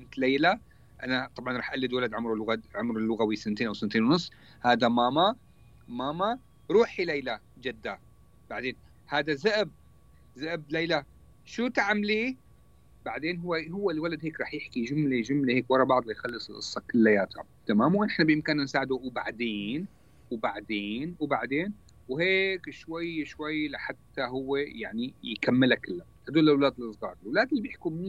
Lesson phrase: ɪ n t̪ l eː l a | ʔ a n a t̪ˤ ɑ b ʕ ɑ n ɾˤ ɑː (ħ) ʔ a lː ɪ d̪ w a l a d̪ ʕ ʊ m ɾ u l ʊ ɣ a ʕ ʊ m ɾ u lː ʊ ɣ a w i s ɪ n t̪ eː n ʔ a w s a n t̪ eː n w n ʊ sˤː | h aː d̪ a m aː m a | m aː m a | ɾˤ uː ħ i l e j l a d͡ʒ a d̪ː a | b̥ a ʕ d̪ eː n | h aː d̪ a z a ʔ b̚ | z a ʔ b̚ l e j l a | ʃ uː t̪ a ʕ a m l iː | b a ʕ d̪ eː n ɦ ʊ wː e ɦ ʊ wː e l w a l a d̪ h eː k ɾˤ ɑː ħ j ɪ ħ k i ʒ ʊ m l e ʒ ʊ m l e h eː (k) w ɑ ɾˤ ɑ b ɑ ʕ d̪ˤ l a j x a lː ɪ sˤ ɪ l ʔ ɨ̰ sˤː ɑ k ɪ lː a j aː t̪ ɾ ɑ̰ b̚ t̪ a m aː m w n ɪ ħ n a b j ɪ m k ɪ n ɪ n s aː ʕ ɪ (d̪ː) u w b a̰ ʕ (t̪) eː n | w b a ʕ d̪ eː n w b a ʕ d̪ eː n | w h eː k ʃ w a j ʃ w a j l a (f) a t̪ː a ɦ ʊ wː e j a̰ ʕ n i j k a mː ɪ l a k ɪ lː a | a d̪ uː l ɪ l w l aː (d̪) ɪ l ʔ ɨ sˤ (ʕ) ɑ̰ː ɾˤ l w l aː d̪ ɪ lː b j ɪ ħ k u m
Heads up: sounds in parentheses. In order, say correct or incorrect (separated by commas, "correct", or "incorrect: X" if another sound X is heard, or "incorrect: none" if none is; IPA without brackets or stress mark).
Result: correct, correct, incorrect: d̪, incorrect: d̪, incorrect: ħ, correct, incorrect: ɣ